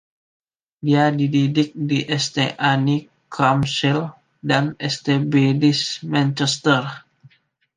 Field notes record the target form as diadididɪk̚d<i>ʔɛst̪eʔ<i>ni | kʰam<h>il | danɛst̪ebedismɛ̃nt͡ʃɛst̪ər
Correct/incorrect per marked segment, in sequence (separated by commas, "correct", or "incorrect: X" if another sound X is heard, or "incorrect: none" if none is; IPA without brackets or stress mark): correct, incorrect: a, incorrect: s